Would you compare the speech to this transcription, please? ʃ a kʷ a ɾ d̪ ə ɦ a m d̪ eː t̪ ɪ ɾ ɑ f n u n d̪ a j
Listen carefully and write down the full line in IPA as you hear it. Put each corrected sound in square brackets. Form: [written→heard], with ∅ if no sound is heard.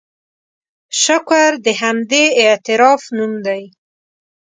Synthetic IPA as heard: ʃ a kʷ a ɾ d̪ ə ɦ a m d̪ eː t̪ ɪ ɾ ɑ f n u [n→m] d̪ a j